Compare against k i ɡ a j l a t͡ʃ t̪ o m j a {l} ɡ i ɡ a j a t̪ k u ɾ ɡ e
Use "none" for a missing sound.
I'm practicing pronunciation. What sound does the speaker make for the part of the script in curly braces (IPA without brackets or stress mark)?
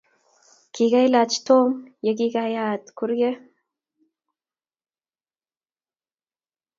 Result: none